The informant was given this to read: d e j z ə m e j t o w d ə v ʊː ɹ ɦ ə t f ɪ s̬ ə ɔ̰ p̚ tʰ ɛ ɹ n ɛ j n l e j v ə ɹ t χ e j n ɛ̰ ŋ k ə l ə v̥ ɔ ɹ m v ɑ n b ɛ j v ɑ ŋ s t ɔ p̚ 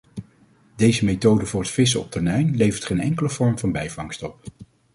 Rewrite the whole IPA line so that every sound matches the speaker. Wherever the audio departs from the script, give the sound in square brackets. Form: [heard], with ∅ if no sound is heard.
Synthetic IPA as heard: d e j z ə m e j t o w d ə v ʊː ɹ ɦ ə t f ɪ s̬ ə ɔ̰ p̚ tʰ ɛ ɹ n ɛ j n l e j v ə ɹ t χ e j n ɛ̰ ŋ k ə l ə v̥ ɔ ɹ m v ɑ n b ɛ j v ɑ ŋ s t ɔ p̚